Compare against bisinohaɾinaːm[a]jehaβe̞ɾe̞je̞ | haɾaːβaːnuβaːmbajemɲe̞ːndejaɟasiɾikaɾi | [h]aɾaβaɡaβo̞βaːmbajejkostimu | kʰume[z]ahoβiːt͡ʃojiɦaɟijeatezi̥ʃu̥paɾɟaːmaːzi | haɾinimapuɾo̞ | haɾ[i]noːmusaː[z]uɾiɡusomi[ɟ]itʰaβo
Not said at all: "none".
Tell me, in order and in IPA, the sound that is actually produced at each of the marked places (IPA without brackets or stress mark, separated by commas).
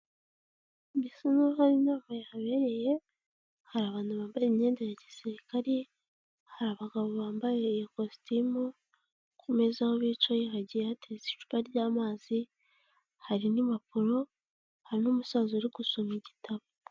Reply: a, h, z, i, z, ɟ